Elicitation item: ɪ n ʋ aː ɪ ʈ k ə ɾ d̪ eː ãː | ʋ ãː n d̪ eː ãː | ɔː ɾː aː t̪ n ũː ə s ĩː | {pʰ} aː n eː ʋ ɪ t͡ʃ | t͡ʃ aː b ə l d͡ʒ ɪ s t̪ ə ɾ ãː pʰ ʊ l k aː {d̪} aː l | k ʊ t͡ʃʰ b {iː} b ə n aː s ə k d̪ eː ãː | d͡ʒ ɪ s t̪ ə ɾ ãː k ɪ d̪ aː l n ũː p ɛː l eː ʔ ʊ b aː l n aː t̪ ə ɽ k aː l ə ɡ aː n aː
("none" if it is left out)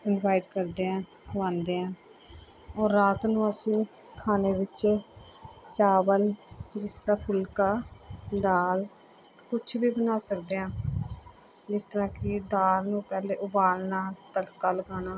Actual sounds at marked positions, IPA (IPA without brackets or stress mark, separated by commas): kʰ, d̪, iː